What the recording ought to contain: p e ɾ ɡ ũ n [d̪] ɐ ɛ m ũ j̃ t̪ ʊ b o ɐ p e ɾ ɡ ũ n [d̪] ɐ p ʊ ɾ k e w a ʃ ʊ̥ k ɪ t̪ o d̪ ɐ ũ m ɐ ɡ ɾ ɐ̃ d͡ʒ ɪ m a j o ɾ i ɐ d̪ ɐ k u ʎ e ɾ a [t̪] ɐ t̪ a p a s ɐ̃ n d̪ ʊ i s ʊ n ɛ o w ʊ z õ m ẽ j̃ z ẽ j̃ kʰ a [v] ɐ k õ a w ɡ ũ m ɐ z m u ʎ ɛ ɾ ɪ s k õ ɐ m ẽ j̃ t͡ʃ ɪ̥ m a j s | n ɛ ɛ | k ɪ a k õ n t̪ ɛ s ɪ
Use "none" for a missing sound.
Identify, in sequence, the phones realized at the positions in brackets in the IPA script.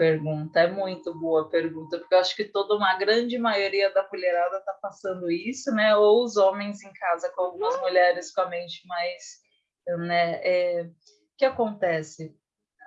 t̪, t̪, d̪, z

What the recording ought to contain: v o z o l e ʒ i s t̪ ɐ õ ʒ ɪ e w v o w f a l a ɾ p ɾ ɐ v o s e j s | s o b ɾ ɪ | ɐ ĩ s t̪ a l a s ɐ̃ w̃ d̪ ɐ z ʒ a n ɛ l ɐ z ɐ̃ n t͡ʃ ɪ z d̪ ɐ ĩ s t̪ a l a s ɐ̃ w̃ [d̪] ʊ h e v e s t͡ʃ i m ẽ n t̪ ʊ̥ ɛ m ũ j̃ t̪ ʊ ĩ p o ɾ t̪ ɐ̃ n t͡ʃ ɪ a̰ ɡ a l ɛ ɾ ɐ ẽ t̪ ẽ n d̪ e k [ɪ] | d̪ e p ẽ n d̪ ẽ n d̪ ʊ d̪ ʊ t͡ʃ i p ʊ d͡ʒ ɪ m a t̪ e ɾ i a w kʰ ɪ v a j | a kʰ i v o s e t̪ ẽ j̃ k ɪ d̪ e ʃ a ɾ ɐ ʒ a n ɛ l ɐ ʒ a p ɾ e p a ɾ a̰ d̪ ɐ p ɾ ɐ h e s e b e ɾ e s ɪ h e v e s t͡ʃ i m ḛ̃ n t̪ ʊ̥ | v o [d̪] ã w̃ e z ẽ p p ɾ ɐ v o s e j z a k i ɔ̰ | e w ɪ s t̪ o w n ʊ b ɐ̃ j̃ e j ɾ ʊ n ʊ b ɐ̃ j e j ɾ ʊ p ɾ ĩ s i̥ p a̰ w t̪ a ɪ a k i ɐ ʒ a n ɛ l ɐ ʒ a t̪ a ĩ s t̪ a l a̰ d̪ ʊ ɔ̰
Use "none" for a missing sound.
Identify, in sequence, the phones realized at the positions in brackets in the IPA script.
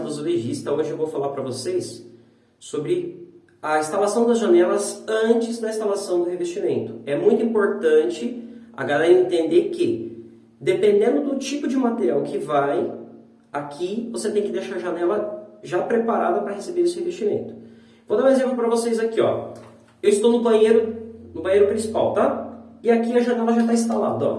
d̪, ɪ, d̪

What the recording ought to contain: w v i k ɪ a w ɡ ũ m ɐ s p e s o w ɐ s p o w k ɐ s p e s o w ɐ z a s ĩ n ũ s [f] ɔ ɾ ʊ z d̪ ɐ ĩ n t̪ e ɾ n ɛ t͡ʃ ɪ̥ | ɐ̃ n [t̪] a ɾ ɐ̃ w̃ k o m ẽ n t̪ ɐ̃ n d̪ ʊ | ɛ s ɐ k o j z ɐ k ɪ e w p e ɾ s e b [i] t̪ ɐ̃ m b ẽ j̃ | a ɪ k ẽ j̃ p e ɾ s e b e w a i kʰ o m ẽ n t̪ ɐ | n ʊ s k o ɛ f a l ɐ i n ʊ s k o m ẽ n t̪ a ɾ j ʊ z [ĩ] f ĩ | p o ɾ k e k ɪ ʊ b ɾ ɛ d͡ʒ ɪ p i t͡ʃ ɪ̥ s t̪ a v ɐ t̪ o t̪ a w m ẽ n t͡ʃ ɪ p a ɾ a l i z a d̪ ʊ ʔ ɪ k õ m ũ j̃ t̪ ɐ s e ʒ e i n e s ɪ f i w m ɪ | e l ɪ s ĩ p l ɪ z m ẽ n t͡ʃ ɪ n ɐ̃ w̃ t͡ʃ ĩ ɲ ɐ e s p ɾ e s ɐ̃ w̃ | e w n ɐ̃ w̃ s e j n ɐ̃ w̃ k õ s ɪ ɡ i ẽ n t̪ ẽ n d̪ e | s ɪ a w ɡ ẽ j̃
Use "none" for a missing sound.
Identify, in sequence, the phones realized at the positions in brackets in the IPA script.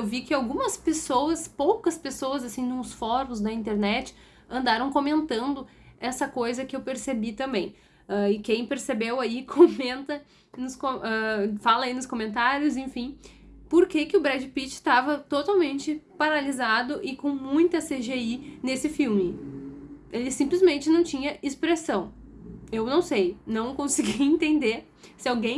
f, d̪, i, ẽ

